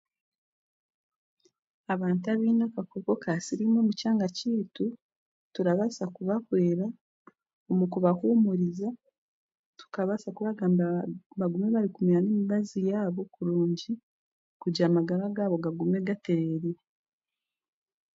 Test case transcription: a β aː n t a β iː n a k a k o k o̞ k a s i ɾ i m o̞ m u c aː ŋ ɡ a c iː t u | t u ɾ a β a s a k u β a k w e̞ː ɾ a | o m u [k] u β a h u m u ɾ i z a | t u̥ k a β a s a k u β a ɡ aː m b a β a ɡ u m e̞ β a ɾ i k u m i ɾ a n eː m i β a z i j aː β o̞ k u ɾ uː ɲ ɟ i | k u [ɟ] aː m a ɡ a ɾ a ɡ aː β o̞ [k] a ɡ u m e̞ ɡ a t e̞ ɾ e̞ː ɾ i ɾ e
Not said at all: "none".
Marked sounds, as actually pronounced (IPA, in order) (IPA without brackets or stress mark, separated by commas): k, ɟ, ɡ